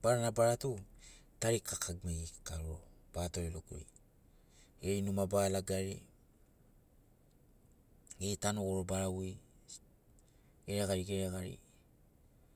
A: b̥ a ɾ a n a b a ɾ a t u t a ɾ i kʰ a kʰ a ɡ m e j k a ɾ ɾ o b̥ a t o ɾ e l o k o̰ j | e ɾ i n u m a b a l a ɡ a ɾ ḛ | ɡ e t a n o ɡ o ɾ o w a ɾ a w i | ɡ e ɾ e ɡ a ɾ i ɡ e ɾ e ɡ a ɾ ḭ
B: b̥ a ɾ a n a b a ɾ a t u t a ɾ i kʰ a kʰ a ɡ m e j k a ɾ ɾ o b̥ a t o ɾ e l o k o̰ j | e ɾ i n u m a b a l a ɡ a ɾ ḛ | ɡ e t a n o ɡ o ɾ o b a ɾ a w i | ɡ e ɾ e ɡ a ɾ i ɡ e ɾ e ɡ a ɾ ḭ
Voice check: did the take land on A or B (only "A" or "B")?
B